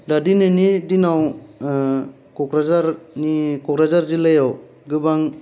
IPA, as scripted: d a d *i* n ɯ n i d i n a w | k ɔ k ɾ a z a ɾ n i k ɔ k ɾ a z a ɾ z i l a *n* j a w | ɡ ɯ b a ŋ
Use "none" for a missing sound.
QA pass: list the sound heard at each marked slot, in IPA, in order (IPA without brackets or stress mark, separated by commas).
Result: i, none